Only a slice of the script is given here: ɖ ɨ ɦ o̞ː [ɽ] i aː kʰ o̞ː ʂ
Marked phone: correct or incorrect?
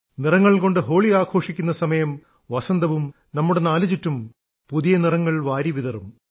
incorrect